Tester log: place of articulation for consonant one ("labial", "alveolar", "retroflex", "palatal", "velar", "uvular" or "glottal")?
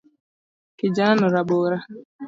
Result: velar